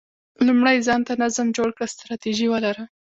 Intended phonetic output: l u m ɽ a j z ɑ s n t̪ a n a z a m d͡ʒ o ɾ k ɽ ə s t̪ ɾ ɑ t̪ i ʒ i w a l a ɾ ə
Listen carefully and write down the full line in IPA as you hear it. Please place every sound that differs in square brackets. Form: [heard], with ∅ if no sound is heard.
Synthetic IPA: l u m ɽ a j z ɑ [∅] n t̪ a n a z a m d͡ʒ o [ɽ] k ɽ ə s t̪ ɾ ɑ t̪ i ʒ i w [ə] l a ɾ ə